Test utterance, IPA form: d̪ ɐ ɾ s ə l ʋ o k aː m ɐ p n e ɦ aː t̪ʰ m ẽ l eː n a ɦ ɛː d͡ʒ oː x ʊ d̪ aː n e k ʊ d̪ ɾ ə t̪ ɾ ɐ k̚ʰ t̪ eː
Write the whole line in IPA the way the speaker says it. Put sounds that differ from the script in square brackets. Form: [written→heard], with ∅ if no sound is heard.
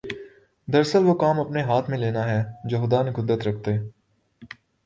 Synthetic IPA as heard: d̪ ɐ ɾ s ə l ʋ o k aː m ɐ p n e ɦ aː t̪ʰ m ẽ l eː n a ɦ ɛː d͡ʒ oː x ʊ d̪ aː n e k ʊ d̪ ɾ ə t̪ ɾ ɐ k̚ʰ t̪ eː